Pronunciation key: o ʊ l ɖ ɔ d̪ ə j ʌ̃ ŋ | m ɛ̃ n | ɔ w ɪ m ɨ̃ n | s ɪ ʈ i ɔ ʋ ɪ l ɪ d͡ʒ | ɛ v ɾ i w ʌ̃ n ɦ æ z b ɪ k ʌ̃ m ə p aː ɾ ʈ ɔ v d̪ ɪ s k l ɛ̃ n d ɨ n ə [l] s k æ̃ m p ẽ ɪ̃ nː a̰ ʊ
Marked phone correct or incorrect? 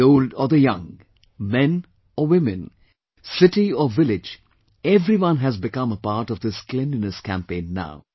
incorrect